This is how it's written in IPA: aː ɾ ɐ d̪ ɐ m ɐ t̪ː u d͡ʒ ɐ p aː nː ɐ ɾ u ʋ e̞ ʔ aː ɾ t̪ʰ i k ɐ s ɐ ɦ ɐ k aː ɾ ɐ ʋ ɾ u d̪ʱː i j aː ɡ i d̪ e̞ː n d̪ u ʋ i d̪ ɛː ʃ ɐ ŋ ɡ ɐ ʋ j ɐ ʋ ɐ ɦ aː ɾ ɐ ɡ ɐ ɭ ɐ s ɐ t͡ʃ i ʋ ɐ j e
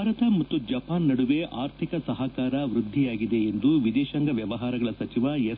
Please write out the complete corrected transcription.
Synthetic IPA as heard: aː ɾ ɐ t̪ ɐ m ɐ t̪ː u d͡ʒ ɐ p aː nː ɐ ɽ u ʋ e̞ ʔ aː ɾ t̪ʰ i k ɐ s ɐ ɦ ɐ k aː ɾ ɐ ʋ ɾ u d̪ʱː i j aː ɡ i d̪ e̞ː n d̪ u ʋ i d̪ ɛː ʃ ɐ ŋ ɡ ɐ ʋ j ɐ ʋ ɐ ɦ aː ɾ ɐ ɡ ɐ ɭ ɐ s ɐ t͡ʃ i ʋ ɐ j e